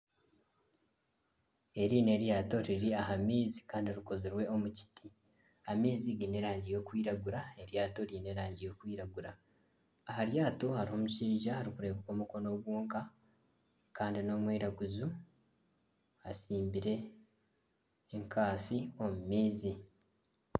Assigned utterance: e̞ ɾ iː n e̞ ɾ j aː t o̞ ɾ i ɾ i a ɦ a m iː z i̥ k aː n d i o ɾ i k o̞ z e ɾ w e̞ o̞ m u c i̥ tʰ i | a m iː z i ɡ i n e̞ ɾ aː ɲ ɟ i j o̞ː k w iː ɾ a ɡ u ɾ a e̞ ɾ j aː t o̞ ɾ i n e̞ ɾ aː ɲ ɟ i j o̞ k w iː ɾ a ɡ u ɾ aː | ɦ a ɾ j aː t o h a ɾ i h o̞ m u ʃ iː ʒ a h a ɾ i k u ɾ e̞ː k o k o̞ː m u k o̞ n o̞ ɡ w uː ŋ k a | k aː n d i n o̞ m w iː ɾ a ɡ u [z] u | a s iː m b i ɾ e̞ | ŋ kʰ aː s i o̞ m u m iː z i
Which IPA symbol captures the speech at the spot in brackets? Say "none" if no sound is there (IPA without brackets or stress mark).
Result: z